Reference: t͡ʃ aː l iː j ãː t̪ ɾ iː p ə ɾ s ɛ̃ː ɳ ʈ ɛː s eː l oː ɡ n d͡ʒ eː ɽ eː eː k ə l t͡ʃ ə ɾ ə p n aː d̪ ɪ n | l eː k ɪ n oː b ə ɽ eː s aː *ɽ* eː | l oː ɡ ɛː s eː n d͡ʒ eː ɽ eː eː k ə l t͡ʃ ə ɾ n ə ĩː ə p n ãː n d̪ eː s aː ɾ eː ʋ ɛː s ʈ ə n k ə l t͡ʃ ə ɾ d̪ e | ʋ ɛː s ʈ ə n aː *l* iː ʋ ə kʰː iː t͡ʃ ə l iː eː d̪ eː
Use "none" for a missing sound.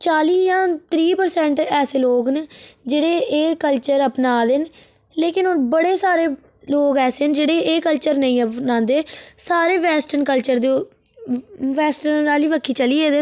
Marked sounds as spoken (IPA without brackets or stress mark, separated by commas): ɾ, l